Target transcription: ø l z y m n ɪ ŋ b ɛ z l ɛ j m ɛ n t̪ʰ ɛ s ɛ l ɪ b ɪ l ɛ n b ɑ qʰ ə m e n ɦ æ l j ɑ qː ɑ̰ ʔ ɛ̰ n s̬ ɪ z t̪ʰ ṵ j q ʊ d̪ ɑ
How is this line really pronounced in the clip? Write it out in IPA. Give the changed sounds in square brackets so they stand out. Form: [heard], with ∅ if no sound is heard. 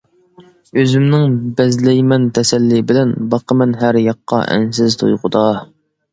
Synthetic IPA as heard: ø [∅] z y m n ɪ ŋ b ɛ z l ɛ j m ɛ n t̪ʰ ɛ s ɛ [lː] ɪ b ɪ l ɛ n b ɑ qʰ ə m [ɛ] n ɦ æ [ɾ] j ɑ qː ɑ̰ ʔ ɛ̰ n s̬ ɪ z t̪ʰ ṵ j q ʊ d̪ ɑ